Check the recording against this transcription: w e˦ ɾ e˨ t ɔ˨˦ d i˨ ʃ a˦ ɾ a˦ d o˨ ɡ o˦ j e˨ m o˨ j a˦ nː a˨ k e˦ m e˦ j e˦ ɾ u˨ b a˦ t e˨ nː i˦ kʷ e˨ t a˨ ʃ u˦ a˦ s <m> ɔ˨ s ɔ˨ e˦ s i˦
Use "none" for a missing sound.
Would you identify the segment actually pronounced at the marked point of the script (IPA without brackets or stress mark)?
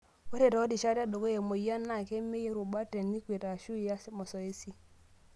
m